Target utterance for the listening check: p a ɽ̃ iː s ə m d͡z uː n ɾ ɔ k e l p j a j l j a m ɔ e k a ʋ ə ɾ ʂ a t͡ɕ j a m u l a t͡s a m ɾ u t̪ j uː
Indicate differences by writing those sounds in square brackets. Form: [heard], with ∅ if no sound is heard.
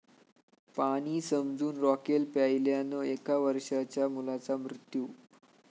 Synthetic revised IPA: p a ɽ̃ iː s ə m d͡z uː n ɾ ɔ k e l p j a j l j a [n] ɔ e k a ʋ ə ɾ ʂ a t͡ɕ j a m u l a t͡s a m ɾ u t̪ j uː

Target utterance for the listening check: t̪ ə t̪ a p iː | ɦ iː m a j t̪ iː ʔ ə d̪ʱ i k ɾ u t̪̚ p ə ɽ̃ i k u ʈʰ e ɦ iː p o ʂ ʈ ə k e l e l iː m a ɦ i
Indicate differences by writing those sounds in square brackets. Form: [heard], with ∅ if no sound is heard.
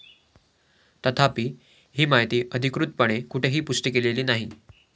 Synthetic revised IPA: t̪ ə [t̪ʰ] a p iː | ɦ iː m a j t̪ iː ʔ ə d̪ʱ i k ɾ u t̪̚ p ə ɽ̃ [e] k u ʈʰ e ɦ iː p [u] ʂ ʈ ə k e l e l iː [n] a ɦ i

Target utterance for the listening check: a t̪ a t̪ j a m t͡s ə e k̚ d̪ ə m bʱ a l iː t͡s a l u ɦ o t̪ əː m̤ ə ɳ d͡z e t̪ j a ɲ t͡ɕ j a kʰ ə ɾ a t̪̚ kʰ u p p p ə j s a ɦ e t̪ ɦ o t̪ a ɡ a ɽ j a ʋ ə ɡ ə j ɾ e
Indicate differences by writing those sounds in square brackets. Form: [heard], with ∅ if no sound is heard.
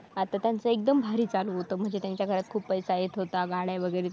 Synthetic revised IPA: a t̪ a t̪ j a [n] t͡s ə e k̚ d̪ ə m bʱ a [ɾ] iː t͡s a l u ɦ o t̪ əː m̤ ə ɳ d͡z e t̪ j a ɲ t͡ɕ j a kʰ ə ɾ a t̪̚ kʰ [uː] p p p ə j s a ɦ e t̪ ɦ o t̪ a ɡ a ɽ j a ʋ ə ɡ ə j ɾ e

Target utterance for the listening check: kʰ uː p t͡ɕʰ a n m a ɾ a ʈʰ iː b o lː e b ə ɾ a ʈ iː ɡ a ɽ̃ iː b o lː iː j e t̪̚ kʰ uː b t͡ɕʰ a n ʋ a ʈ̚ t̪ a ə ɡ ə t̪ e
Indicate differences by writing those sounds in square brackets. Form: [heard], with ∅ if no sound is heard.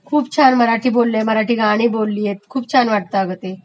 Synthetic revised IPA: kʰ uː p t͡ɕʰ a n m [ə] ɾ a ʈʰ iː b o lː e [m] ə ɾ a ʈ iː ɡ a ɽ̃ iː b o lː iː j e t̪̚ kʰ uː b t͡ɕʰ a n ʋ a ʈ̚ t̪ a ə ɡ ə t̪ e

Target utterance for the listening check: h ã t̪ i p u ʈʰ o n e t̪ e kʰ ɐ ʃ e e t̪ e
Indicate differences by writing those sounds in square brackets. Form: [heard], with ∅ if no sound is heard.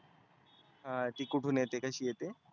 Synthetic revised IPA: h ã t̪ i [k] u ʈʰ [u] n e t̪ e [k] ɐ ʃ [i] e t̪ e

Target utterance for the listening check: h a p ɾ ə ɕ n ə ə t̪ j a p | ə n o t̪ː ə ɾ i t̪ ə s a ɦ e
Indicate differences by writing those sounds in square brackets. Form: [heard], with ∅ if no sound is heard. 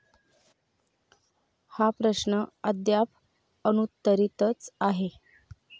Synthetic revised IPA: h a p ɾ ə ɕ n ə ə [d̪] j a p | ə n [u] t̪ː ə ɾ i t̪ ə [t͡s] a ɦ e

